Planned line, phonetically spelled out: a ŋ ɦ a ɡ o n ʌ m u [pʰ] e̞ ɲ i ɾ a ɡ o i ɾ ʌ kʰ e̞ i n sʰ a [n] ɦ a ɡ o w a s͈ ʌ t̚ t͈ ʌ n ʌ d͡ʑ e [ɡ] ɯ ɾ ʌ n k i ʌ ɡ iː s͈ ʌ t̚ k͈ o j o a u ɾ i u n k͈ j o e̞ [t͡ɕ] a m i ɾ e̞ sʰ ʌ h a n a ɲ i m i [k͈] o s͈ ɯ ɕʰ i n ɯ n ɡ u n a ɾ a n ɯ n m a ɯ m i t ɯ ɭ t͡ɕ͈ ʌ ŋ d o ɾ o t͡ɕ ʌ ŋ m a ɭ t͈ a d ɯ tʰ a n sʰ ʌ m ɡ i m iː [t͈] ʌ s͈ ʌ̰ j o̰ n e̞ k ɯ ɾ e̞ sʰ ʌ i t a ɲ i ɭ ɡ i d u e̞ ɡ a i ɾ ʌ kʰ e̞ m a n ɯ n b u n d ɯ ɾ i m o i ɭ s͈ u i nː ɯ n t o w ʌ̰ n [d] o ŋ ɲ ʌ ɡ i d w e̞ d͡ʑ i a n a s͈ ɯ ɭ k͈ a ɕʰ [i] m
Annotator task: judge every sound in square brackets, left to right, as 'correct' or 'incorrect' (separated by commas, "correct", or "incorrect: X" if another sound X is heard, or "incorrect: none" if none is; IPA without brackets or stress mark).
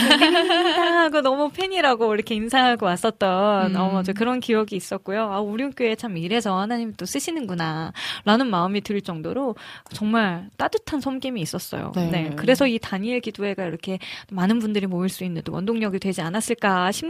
correct, incorrect: ŋ, incorrect: k, incorrect: t͡ɕʰ, incorrect: t͈, incorrect: s͈, correct, correct